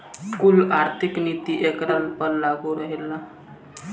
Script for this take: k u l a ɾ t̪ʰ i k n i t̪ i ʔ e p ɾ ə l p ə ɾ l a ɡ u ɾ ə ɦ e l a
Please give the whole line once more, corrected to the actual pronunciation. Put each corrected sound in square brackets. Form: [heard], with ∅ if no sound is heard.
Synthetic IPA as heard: k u l a ɾ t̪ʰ i k n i t̪ i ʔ e [k] ɾ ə l p ə ɾ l a ɡ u ɾ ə ɦ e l a